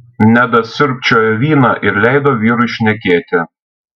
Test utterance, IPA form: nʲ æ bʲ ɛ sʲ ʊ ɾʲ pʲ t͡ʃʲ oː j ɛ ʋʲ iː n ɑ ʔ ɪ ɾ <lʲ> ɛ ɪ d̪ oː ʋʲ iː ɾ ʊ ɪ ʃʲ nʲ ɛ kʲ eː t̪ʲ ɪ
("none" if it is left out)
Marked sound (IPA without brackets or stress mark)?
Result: lʲ